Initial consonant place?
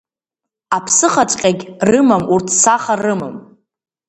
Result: labial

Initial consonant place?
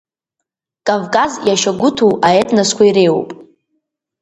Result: velar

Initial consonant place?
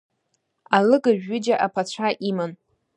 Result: alveolar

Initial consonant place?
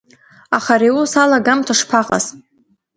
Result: uvular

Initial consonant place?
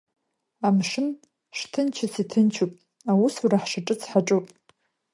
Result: labial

